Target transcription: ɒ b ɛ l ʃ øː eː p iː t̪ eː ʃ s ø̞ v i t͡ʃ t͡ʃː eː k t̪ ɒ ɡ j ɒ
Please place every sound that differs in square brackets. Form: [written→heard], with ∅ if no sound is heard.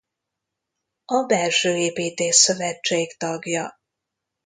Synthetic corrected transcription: ɒ b ɛ l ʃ øː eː p iː t̪ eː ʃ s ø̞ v [i→ɛ] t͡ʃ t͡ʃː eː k t̪ ɒ ɡ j ɒ